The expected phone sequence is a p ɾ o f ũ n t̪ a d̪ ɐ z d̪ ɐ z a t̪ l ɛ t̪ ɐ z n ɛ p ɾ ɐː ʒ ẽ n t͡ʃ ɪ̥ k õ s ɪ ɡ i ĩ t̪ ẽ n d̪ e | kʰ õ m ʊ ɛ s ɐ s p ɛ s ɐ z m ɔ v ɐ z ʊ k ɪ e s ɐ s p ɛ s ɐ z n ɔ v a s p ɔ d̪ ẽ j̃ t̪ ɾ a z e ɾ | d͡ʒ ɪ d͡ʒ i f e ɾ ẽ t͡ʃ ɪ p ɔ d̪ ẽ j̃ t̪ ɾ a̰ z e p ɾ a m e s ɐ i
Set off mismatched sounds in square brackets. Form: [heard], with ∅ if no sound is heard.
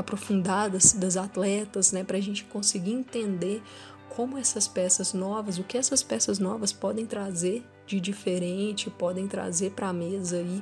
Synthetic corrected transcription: a p ɾ o f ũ n [d̪] a d̪ ɐ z d̪ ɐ z a t̪ l ɛ t̪ ɐ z n ɛ p ɾ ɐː ʒ ẽ n t͡ʃ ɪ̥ k õ s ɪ ɡ i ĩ t̪ ẽ n d̪ e | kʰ õ m ʊ ɛ s ɐ s p ɛ s ɐ z [n] ɔ v ɐ z ʊ k ɪ [ɛ] s ɐ s p ɛ s ɐ z n ɔ v [ɐ] s p ɔ d̪ ẽ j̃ t̪ ɾ a z e ɾ | d͡ʒ ɪ d͡ʒ i f e ɾ ẽ t͡ʃ ɪ p ɔ d̪ ẽ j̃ t̪ ɾ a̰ z e p ɾ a m e [z] ɐ i